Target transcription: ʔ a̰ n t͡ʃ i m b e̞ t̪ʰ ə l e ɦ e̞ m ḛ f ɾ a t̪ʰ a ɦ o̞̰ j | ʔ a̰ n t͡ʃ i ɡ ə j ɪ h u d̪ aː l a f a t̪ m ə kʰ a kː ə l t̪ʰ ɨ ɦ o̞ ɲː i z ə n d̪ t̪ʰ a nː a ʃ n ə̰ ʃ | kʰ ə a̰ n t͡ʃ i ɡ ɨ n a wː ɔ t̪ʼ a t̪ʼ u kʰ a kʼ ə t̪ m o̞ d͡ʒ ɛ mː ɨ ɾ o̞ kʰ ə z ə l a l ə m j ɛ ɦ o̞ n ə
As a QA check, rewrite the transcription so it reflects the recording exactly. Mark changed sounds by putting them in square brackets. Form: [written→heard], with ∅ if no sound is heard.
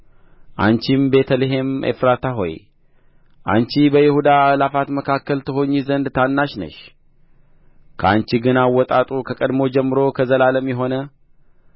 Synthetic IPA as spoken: ʔ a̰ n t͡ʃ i m b e̞ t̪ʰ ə l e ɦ e̞ m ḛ f ɾ a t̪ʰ a ɦ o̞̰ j | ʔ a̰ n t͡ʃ i [ɡ→b] ə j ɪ h u d̪ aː l a f a t̪ m ə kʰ a kː ə l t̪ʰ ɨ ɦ o̞ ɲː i z ə n d̪ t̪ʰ a nː a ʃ n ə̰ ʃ | kʰ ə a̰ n t͡ʃ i ɡ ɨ n a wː ɔ t̪ʼ a t̪ʼ u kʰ [a→ə] kʼ ə [t̪→d̪] m o̞ d͡ʒ ɛ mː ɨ ɾ o̞ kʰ ə z ə l a l ə m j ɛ ɦ o̞ n ə